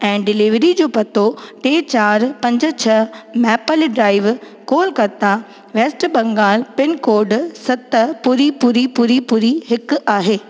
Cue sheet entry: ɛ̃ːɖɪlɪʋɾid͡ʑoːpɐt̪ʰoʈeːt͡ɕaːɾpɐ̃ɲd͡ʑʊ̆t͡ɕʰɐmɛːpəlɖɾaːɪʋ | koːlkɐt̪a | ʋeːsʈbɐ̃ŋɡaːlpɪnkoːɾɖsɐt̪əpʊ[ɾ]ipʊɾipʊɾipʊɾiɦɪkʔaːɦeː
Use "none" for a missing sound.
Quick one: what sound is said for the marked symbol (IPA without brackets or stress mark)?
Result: ɾ